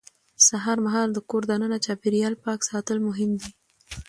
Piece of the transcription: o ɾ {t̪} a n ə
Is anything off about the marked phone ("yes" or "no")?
yes